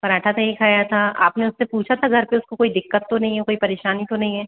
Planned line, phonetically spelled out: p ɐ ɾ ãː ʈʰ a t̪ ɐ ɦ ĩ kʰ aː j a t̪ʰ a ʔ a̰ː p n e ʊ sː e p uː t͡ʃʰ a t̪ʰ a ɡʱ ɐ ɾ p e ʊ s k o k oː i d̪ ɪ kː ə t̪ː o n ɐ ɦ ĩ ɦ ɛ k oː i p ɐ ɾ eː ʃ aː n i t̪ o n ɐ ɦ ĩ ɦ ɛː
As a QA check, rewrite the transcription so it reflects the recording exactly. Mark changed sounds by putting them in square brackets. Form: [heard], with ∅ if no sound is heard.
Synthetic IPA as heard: p ɐ ɾ [aː] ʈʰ a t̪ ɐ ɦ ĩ kʰ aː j a t̪ʰ a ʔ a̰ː p n e ʊ sː e p uː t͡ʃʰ a t̪ʰ a ɡʱ ɐ ɾ p e ʊ s k o k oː i d̪ ɪ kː ə t̪ː o n ɐ ɦ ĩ ɦ ɛ k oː i p ɐ ɾ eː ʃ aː n i t̪ o n ɐ ɦ ĩ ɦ ɛː